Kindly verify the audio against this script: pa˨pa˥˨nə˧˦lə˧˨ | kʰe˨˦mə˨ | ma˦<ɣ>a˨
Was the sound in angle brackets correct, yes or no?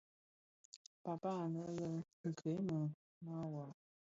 no